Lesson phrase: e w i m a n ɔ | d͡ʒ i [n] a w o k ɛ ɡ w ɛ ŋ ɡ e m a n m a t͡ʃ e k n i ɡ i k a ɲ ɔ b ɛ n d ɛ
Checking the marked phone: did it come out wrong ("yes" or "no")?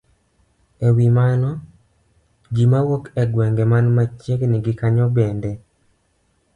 yes